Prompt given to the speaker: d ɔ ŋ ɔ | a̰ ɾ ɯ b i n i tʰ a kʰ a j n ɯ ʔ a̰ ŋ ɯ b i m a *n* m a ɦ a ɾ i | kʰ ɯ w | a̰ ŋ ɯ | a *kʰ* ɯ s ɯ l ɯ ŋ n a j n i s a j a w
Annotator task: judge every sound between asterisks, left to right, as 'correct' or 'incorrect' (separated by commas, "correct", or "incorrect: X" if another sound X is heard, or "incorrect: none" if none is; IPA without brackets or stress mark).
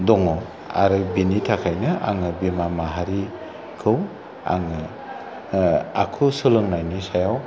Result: incorrect: none, correct